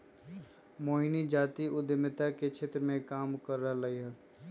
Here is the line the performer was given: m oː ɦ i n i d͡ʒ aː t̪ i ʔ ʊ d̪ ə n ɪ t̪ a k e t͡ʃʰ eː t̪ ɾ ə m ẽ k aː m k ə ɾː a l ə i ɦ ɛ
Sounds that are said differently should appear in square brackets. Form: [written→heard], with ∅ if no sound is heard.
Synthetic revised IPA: m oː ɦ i n i d͡ʒ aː t̪ i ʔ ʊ d̪ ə [n→m] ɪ t̪ a k e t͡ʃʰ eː t̪ ɾ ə m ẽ k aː m k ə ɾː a l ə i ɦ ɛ